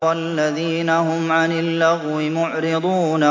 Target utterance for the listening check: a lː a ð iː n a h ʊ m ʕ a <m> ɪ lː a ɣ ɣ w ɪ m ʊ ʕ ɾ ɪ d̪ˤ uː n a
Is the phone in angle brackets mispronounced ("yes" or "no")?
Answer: yes